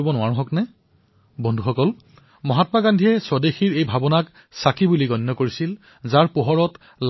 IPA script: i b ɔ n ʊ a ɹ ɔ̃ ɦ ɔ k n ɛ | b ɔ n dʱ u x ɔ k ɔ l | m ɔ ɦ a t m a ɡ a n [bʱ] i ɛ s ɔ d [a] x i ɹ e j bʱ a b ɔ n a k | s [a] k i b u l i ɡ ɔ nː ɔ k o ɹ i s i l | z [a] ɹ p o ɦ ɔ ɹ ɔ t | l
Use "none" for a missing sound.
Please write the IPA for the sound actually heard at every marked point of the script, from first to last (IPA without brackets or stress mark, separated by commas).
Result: dʱ, e, a, a